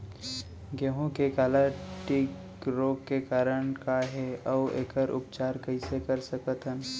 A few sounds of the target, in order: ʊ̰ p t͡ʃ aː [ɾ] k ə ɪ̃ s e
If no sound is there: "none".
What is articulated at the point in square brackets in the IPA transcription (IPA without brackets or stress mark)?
ɾ